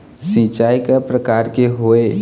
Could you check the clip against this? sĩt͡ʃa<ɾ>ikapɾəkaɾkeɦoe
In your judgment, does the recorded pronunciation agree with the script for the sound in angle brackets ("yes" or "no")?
no